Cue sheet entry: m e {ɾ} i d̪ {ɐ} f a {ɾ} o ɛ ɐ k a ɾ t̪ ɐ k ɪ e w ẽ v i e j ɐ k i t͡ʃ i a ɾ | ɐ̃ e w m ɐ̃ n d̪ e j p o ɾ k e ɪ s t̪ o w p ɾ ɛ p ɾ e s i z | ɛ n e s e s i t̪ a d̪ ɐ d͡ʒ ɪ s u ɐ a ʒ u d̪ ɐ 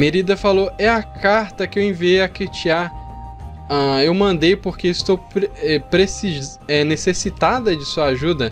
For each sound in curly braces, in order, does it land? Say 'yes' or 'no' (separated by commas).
yes, yes, no